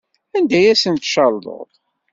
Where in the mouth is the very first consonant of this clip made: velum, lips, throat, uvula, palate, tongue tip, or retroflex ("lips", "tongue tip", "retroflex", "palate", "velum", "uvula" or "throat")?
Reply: tongue tip